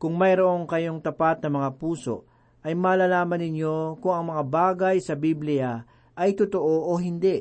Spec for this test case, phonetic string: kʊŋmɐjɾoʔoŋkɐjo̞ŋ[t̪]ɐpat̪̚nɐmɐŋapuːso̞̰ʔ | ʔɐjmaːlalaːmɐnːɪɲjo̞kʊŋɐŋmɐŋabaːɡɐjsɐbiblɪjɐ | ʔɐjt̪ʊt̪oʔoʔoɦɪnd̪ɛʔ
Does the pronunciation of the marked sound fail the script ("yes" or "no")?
no